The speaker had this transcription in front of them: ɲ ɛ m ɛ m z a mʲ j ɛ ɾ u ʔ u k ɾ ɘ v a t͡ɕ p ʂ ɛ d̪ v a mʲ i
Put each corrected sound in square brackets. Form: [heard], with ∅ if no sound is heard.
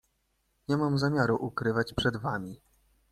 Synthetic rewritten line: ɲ ɛ m [a] m z a mʲ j [a] ɾ u ʔ u k ɾ ɘ v a t͡ɕ p ʂ ɛ d̪ v a mʲ i